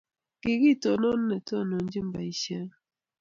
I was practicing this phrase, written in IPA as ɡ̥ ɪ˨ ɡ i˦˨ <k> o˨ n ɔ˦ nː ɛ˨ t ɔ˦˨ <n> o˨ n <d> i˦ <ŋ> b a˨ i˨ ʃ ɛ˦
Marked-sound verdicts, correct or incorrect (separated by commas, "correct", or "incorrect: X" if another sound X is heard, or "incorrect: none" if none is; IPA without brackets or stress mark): incorrect: t, correct, incorrect: d͡ʒ, incorrect: m